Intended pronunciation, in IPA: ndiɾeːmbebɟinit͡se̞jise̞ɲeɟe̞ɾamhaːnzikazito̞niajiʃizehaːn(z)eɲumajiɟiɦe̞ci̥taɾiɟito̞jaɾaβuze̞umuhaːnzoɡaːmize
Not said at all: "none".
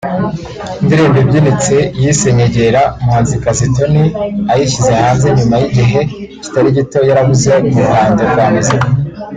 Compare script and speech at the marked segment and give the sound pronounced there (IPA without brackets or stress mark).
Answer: z